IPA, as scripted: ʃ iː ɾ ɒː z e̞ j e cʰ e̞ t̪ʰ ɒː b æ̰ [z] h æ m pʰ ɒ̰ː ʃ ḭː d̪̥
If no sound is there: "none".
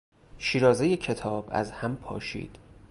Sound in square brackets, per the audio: z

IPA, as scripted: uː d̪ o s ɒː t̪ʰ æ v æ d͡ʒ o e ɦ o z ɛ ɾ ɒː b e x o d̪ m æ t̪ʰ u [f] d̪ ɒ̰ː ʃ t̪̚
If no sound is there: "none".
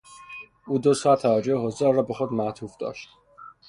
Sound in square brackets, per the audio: f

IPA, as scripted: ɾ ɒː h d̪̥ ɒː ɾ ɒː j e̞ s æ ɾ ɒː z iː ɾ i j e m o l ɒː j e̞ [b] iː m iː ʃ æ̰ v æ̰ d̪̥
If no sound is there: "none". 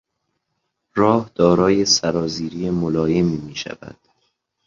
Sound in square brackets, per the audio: m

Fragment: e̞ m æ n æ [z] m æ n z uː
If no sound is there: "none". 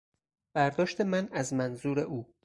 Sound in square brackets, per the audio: z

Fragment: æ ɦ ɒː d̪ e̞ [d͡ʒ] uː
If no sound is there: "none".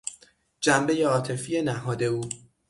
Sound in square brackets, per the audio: none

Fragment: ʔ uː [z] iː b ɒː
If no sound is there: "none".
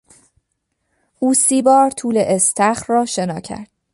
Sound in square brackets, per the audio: s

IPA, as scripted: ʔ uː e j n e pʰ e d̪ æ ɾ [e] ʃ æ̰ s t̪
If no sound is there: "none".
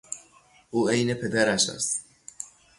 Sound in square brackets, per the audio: æ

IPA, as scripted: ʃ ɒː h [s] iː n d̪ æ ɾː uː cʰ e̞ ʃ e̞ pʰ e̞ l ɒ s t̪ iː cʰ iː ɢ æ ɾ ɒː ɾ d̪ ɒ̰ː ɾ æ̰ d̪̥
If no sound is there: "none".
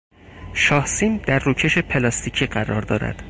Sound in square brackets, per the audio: s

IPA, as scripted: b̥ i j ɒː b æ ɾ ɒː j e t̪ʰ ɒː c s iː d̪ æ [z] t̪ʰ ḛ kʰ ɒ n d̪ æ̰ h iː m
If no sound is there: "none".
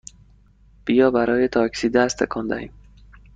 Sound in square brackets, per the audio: s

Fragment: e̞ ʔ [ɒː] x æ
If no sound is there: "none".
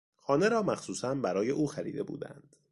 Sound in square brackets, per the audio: uː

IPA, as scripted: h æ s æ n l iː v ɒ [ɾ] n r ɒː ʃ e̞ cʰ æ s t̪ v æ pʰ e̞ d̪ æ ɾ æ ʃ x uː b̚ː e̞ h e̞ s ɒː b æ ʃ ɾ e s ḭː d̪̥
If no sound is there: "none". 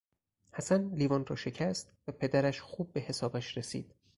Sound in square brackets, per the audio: none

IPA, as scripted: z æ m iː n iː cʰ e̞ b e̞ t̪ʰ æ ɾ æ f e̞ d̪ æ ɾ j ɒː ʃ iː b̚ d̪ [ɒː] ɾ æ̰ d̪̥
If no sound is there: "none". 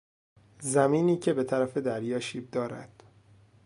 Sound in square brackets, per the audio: ɒː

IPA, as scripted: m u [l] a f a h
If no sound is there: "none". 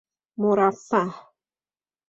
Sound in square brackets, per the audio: ɾ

